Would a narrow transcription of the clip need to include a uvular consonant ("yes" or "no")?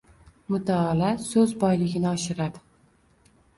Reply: no